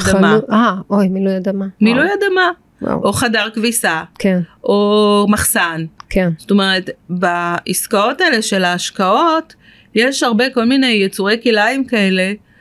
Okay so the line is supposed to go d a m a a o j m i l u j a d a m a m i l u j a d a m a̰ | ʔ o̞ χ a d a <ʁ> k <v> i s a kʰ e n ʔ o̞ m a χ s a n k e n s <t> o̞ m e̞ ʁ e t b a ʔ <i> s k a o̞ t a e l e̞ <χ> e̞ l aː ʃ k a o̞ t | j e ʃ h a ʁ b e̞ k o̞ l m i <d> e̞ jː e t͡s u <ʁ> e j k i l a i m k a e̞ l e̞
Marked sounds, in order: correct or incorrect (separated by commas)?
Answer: correct, correct, correct, correct, incorrect, incorrect, correct